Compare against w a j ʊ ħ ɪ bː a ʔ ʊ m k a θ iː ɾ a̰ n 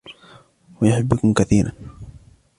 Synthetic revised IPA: w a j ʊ ħ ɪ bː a k ʊ m k a θ iː ɾ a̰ n